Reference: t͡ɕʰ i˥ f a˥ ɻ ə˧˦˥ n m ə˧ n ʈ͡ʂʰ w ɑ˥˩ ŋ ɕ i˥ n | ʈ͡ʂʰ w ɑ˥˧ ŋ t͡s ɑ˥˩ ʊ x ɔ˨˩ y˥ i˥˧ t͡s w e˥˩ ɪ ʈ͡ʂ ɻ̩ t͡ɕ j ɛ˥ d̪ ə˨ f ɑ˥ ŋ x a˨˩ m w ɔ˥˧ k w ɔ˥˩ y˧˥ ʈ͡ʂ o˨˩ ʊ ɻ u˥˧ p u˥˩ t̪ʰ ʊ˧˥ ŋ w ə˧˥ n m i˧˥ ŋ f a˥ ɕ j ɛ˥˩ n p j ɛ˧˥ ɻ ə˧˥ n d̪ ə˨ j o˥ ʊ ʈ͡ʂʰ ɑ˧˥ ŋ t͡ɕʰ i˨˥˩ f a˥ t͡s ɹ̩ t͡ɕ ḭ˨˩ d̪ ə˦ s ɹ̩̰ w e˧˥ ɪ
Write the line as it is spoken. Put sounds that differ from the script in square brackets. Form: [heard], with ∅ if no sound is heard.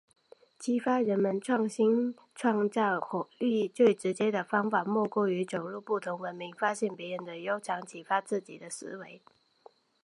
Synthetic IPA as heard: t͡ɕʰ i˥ f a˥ ɻ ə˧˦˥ n m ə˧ n ʈ͡ʂʰ w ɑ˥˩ ŋ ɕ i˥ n | ʈ͡ʂʰ w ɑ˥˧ ŋ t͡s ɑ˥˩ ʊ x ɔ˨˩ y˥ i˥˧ t͡s w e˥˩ ɪ ʈ͡ʂ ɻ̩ t͡ɕ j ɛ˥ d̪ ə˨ f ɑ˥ ŋ [f] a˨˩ m w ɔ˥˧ k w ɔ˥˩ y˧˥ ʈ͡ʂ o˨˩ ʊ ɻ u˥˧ p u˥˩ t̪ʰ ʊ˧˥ ŋ w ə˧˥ n m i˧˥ ŋ f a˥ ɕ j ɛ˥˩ n p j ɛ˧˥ ɻ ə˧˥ n d̪ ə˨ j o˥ ʊ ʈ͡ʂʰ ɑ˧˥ ŋ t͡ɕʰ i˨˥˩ f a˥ t͡s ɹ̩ t͡ɕ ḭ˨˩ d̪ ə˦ s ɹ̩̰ w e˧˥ ɪ